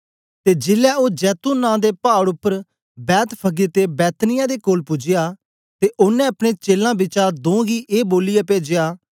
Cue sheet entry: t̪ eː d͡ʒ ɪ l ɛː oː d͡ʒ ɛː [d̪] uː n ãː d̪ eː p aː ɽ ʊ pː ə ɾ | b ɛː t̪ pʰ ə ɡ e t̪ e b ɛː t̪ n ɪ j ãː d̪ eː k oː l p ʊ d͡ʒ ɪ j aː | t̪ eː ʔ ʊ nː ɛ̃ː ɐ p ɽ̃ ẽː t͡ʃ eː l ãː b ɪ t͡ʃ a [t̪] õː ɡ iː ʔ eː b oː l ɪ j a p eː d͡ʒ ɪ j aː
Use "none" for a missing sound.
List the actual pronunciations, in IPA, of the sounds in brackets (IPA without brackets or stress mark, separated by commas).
t̪, d̪